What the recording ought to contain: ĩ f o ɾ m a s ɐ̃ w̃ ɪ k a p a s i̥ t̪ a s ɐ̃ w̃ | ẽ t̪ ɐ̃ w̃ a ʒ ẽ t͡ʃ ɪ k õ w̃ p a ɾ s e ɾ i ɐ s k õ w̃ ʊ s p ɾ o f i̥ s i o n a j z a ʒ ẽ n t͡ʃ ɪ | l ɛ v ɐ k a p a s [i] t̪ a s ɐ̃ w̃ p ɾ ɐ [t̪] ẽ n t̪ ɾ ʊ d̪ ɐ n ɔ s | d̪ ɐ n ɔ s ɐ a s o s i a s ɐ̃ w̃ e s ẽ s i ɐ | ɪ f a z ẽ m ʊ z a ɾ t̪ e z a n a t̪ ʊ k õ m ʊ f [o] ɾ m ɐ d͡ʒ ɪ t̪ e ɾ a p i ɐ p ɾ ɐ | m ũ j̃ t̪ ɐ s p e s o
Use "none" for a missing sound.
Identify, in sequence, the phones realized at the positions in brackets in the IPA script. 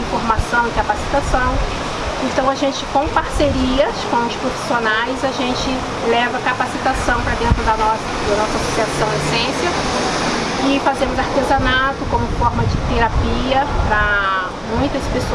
i, d̪, ɔ

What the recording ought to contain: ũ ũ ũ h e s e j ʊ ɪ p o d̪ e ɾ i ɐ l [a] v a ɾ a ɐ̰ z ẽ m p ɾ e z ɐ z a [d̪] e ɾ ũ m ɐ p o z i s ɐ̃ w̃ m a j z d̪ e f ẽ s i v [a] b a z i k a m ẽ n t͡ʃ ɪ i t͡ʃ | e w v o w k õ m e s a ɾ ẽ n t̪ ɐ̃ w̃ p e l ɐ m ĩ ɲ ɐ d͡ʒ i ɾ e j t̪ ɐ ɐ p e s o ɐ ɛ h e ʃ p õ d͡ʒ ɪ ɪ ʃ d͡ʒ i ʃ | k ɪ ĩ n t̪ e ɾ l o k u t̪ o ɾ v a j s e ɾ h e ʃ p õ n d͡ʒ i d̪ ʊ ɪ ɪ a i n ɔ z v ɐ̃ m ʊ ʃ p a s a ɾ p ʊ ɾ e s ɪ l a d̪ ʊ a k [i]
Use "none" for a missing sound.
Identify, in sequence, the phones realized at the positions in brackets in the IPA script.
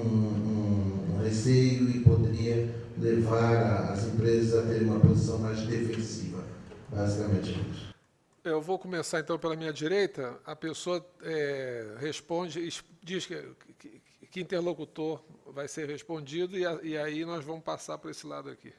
e, t̪, ɐ, i

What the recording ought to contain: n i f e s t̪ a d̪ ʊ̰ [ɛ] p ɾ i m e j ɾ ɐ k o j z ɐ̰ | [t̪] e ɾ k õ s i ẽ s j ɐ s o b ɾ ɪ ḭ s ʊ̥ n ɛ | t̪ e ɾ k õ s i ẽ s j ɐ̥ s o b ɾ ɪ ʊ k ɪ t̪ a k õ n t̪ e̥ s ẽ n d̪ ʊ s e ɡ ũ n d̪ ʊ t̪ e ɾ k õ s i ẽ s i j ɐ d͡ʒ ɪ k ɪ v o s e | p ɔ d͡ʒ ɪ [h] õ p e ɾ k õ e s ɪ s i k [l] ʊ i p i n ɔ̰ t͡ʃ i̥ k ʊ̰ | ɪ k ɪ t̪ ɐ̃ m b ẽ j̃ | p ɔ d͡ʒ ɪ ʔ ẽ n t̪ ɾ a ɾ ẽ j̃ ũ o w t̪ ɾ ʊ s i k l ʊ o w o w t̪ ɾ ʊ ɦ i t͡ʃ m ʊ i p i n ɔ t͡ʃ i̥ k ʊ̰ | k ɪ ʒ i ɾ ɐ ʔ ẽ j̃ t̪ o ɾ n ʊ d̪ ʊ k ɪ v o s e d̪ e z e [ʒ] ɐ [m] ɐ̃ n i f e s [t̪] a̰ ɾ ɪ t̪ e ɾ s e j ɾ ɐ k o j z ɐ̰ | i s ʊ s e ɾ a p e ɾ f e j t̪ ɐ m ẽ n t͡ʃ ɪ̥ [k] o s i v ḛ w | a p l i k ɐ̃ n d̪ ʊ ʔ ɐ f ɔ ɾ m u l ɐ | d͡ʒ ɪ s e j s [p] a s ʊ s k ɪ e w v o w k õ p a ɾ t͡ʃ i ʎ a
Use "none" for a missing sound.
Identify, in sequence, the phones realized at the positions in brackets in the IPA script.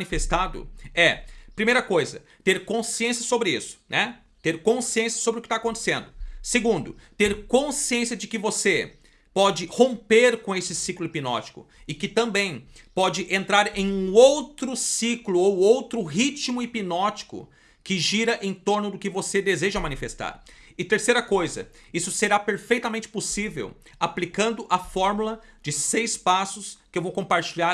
ɛ, t̪, h, l, ʒ, m, t̪, p, p

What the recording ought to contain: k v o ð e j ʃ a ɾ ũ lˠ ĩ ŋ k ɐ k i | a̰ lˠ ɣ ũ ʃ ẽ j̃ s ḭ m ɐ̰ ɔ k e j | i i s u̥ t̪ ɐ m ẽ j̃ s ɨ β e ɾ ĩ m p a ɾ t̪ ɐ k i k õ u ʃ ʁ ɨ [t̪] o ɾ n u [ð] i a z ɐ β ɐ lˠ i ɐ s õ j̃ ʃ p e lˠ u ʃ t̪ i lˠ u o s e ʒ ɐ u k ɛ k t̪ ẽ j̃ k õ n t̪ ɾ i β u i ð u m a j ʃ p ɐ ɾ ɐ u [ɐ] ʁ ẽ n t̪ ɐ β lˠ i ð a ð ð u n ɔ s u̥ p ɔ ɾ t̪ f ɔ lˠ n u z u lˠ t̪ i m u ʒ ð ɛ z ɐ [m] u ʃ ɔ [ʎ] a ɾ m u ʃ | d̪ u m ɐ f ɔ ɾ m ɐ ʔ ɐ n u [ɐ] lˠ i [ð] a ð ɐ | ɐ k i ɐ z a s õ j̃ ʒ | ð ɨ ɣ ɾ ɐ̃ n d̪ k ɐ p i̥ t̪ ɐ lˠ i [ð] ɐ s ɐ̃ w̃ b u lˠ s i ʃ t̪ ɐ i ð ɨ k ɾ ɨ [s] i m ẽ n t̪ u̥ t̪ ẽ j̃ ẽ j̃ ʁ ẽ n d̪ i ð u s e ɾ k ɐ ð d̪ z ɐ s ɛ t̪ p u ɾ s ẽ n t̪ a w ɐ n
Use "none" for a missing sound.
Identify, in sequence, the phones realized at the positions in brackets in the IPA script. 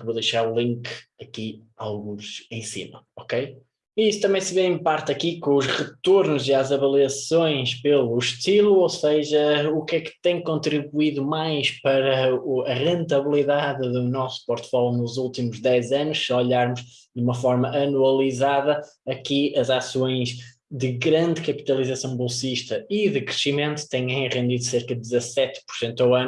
t̪, z, ɐ, n, ʎ, ɐ, z, z, ʃ

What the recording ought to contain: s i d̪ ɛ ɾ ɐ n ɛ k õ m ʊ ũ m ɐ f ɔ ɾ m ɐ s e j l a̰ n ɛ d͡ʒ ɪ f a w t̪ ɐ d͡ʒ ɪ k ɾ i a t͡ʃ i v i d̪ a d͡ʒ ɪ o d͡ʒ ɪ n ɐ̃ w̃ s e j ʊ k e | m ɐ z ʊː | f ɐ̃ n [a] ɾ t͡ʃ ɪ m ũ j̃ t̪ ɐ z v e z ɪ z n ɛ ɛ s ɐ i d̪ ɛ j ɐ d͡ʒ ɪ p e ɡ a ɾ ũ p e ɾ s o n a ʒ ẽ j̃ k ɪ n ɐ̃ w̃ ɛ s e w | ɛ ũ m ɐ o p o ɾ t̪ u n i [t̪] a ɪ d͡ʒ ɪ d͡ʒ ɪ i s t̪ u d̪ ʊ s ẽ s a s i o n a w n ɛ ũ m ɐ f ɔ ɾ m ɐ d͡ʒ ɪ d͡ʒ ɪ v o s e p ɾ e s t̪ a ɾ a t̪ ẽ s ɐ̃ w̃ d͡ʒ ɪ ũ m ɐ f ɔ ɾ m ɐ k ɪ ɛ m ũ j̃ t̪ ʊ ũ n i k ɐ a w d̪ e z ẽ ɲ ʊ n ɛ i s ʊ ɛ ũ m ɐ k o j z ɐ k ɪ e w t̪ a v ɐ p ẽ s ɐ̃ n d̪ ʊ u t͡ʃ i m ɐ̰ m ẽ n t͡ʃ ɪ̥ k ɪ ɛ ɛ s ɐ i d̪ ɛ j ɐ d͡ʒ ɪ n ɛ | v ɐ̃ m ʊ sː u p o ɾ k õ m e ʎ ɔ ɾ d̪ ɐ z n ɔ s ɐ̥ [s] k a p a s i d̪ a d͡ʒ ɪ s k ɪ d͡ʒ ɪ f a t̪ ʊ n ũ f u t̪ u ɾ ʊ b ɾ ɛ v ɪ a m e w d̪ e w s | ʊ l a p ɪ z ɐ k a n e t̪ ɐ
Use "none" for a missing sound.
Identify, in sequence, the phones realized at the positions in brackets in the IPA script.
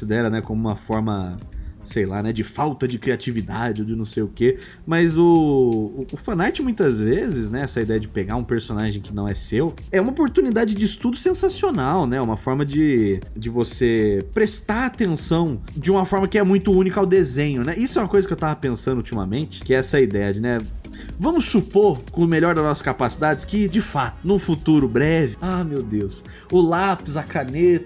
a, d̪, s

